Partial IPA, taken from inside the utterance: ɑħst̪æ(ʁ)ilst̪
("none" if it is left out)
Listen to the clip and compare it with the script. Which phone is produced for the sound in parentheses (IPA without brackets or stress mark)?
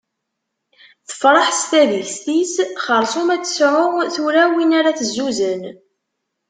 ð